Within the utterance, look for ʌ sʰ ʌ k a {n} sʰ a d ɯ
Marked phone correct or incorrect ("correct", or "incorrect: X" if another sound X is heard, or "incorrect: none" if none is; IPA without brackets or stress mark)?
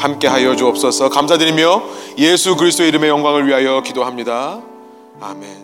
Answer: incorrect: m